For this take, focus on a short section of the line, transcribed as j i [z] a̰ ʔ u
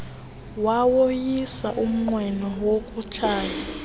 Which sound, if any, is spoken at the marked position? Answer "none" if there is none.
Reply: s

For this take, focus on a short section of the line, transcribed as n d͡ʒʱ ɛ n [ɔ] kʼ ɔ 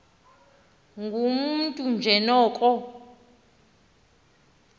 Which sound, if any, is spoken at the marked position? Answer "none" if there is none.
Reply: ɔː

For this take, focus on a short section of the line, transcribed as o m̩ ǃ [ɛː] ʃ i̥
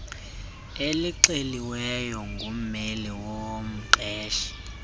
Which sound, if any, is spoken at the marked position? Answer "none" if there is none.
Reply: ɛː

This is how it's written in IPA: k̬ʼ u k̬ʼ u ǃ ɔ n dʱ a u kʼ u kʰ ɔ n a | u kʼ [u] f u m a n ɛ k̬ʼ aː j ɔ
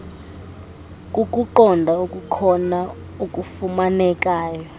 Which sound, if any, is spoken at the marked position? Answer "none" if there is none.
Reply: u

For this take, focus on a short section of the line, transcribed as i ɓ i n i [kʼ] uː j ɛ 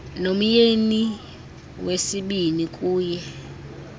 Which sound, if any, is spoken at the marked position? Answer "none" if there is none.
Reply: kʼ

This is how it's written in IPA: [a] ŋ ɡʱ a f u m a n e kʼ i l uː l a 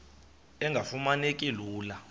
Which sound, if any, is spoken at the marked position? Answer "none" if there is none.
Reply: ɛ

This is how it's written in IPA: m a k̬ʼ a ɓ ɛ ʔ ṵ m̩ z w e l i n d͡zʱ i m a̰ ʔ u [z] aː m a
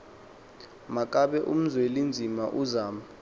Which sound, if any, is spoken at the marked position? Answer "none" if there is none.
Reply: z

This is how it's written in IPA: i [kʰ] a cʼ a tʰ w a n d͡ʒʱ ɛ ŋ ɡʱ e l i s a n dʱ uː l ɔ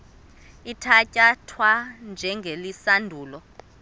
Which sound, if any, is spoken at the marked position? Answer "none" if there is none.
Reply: tʰ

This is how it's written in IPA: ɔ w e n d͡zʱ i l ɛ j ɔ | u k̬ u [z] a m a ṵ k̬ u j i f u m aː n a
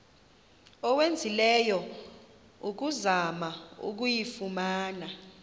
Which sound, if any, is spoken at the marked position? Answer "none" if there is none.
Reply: z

